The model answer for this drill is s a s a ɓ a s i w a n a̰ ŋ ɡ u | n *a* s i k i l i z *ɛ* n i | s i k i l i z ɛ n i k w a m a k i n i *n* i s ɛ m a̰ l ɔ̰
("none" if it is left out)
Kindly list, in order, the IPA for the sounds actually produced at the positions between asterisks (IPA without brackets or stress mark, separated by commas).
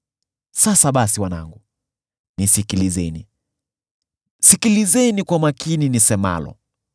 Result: i, ɛ, n